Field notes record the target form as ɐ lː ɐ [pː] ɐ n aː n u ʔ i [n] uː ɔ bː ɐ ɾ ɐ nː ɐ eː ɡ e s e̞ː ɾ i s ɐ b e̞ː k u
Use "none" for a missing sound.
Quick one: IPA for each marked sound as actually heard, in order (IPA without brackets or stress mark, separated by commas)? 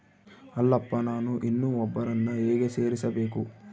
pː, nː